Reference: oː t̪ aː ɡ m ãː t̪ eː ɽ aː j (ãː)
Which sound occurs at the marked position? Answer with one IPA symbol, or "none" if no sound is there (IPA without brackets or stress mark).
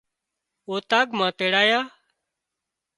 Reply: aː